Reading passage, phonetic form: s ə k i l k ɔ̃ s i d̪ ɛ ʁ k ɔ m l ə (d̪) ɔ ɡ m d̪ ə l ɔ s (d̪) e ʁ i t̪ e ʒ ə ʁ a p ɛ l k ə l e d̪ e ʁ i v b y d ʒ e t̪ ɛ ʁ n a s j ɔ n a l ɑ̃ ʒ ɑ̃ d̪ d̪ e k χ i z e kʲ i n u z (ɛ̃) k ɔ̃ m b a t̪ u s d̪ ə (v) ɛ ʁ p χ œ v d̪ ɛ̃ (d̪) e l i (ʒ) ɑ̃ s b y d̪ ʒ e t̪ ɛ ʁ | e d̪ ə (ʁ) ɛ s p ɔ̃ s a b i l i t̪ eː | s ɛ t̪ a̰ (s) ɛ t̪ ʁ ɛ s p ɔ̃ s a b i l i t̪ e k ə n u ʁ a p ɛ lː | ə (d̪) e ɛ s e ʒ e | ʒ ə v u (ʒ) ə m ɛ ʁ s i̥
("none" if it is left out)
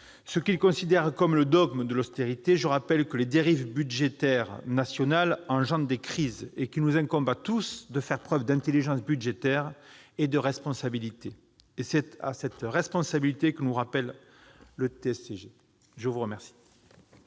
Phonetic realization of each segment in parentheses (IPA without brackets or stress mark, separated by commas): d̪, t̪, ɛ̃, f, t̪, ʒ, ʁ, s, t̪, ʁ